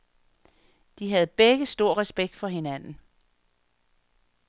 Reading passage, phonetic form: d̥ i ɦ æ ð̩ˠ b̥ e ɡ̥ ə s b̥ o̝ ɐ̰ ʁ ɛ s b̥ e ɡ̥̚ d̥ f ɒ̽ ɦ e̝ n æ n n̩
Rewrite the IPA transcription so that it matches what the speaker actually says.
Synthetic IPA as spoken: d̥ i ɦ æ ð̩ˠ b̥ e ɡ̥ ə s d̥ o̝ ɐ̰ ʁ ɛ s b̥ e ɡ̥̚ d̥ f ɒ̽ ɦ e̝ n æ n n̩